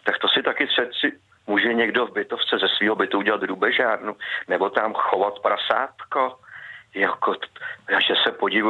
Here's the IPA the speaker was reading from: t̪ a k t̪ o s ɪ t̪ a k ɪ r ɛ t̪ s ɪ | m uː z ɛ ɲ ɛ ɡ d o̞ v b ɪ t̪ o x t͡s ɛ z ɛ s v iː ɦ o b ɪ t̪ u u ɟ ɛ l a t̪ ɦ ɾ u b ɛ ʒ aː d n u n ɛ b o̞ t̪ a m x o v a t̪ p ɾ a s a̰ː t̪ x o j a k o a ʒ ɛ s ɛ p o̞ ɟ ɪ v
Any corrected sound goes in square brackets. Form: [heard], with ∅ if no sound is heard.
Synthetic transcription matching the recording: t̪ a k t̪ o s ɪ t̪ a k ɪ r ɛ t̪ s ɪ | m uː [ʒ] ɛ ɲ ɛ ɡ d o̞ v b ɪ t̪ o [f] t͡s ɛ z ɛ s v iː ɦ o b ɪ t̪ u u ɟ ɛ l a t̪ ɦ ɾ u b ɛ ʒ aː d n u n ɛ b o̞ t̪ a m x o v a t̪ p ɾ a s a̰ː t̪ [k] o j a k o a ʒ ɛ s ɛ p o̞ ɟ ɪ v